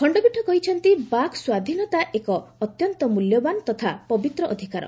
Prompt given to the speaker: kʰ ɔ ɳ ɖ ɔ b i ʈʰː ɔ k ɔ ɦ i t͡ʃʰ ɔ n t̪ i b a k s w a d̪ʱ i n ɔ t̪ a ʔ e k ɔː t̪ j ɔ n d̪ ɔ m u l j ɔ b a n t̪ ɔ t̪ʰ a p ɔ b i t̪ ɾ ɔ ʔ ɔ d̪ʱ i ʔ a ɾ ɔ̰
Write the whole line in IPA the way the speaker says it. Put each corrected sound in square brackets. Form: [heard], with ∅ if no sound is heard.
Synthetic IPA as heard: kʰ ɔ ɳ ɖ ɔ b i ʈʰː ɔ k ɔ ɦ i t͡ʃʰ ɔ n t̪ i b a k s w a d̪ʱ i n ɔ t̪ a ʔ e k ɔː t̪ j ɔ n [t̪] ɔ m u l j ɔ b a n t̪ ɔ t̪ʰ a p ɔ b i t̪ ɾ ɔ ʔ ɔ d̪ʱ i [k] a ɾ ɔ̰

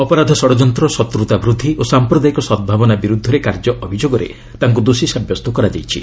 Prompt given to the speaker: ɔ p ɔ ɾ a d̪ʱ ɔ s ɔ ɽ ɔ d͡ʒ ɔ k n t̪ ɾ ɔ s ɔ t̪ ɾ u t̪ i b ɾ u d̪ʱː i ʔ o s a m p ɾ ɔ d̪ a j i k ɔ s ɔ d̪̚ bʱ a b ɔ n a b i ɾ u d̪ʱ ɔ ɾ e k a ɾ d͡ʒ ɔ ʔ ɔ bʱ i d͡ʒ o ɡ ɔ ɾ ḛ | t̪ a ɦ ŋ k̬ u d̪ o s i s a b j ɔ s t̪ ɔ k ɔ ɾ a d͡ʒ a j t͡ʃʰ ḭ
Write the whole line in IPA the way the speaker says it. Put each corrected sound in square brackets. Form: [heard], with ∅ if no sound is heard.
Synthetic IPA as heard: ɔ p ɔ ɾ a d̪ʱ ɔ s ɔ ɽ ɔ d͡ʒ ɔ [∅] n t̪ ɾ ɔ s ɔ t̪ ɾ u t̪ [a] b ɾ u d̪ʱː i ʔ o s a m p ɾ ɔ d̪ a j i k ɔ s ɔ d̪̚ bʱ a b ɔ n a b i ɾ u d̪ʱ ɔ ɾ e k a ɾ d͡ʒ ɔ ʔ ɔ bʱ i d͡ʒ o ɡ ɔ ɾ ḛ | t̪ a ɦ ŋ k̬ u d̪ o s i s a b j ɔ s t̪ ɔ k ɔ ɾ a d͡ʒ a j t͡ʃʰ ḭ

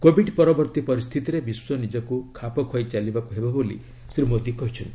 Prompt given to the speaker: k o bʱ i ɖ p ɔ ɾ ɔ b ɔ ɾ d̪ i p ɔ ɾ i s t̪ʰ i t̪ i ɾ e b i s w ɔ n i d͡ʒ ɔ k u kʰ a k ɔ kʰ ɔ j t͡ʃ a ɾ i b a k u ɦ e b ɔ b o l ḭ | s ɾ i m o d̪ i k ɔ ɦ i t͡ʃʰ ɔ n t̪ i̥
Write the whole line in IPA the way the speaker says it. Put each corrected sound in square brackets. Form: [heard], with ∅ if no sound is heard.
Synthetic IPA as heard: k o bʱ i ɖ p ɔ ɾ ɔ b ɔ ɾ [t̪] i p ɔ ɾ i s t̪ʰ i t̪ i ɾ e b i s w ɔ n i d͡ʒ ɔ k u kʰ a [p] ɔ kʰ ɔ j t͡ʃ a [l] i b a k u ɦ e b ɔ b o l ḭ | s ɾ i m o d̪ i k ɔ ɦ i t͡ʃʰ ɔ n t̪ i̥

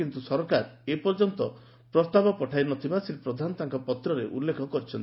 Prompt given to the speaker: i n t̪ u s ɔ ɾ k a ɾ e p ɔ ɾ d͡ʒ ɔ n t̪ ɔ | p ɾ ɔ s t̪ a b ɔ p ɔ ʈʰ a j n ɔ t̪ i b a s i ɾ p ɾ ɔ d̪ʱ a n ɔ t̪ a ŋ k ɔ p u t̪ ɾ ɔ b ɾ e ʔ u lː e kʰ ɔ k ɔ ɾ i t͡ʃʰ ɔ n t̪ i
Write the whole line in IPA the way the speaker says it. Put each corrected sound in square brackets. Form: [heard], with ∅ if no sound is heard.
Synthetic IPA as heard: i n t̪ u s ɔ ɾ k a ɾ e p ɔ ɾ d͡ʒ ɔ n t̪ ɔ | p ɾ ɔ s t̪ a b ɔ p ɔ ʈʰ a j n ɔ t̪ i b a s i ɾ p ɾ ɔ d̪ʱ a n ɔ t̪ a ŋ k ɔ p [ɔ] t̪ ɾ ɔ [∅] ɾ e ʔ u lː e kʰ ɔ k ɔ ɾ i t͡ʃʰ ɔ n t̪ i

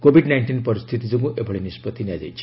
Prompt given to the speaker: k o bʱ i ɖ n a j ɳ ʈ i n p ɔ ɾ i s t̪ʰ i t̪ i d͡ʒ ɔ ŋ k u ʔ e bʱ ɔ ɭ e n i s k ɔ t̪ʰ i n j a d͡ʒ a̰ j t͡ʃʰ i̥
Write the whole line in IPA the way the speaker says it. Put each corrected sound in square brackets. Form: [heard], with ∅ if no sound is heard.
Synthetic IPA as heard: k o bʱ i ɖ n a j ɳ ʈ i n p ɔ ɾ i s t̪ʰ i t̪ i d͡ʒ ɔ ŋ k u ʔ e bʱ ɔ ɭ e n i s [p] ɔ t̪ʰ i n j a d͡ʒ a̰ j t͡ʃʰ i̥

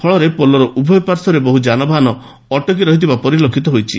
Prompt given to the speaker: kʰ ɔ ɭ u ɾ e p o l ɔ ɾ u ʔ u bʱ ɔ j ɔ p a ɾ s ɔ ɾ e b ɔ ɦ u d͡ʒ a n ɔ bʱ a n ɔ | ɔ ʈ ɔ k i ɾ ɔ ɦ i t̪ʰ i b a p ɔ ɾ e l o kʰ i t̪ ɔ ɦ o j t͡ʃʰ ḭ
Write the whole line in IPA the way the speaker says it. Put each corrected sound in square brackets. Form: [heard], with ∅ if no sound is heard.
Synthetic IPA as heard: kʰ ɔ ɭ [ɔ] ɾ e p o l ɔ ɾ [ɔ] ʔ u bʱ ɔ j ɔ p a ɾ s ɔ ɾ e b ɔ ɦ u d͡ʒ a n ɔ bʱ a n ɔ | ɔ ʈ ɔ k i ɾ ɔ ɦ i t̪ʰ i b a p ɔ ɾ [i] l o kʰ i t̪ ɔ ɦ o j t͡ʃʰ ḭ

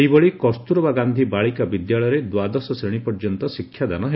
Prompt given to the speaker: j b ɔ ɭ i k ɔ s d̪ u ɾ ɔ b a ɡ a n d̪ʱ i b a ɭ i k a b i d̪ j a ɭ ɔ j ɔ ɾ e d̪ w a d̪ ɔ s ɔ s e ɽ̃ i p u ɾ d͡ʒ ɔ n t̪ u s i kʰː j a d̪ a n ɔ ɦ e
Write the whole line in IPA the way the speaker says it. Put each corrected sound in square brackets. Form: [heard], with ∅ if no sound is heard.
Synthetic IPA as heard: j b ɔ ɭ i k ɔ s [t̪] u ɾ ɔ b a ɡ a n d̪ʱ i b a ɭ i k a b i d̪ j a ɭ ɔ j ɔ ɾ e d̪ w a d̪ ɔ s ɔ s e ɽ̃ i p [ɔ] ɾ d͡ʒ ɔ n t̪ [ɔ] s i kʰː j a d̪ a n ɔ ɦ e

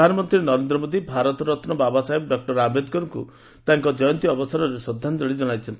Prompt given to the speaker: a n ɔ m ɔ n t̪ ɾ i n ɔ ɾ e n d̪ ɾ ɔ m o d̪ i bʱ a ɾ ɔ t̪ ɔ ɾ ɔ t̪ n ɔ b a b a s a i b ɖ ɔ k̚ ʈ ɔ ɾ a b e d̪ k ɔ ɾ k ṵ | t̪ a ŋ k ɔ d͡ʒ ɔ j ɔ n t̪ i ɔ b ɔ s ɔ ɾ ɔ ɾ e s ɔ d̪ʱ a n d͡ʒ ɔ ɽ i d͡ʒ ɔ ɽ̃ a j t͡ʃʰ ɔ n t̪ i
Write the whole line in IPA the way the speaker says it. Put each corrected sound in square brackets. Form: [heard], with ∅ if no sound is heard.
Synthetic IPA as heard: a n ɔ m ɔ n t̪ ɾ i n ɔ ɾ e n d̪ ɾ ɔ m o d̪ i bʱ a ɾ ɔ t̪ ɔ ɾ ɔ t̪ n ɔ b a b a s a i b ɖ ɔ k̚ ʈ ɔ ɾ a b e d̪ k ɔ ɾ k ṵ | t̪ a ŋ k ɔ d͡ʒ ɔ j ɔ n t̪ i ɔ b ɔ s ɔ ɾ ɔ ɾ e s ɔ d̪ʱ a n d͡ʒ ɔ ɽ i d͡ʒ ɔ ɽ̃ a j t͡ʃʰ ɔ n t̪ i

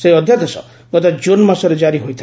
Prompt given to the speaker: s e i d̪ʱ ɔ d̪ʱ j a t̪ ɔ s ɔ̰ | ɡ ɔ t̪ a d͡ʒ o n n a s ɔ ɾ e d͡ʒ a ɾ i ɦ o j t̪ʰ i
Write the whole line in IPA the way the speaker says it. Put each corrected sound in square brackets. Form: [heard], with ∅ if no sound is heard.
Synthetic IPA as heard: s e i [∅] ɔ d̪ʱ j a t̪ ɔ s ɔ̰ | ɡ ɔ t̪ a d͡ʒ o n [m] a s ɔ ɾ e d͡ʒ a ɾ i ɦ o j t̪ʰ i

